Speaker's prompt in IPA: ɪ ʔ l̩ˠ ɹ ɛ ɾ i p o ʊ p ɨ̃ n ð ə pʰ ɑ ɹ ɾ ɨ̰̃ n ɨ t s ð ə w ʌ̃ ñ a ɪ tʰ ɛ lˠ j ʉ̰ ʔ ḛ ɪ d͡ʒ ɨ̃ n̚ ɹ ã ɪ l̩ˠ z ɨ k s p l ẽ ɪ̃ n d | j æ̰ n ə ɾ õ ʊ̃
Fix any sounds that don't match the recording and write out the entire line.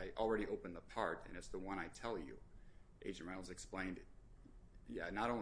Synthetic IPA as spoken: ɪ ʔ l̩ˠ ɹ ɛ ɾ i ʔ o ʊ p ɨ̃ n ð ə pʰ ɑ ɹ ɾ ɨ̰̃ n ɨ t s ð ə w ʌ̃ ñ a ɪ tʰ ɛ lˠ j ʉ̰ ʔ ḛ ɪ d͡ʒ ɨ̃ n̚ ɹ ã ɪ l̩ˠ z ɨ k s p l ẽ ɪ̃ n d | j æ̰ n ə ɾ õ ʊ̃